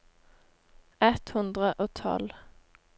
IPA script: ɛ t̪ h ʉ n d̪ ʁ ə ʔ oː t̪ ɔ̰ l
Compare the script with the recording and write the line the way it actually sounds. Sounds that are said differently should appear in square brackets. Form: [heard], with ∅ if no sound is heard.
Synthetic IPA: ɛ t̪ h ʉ n d̪ ʁ ə ʔ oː [t̪ʰ] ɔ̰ l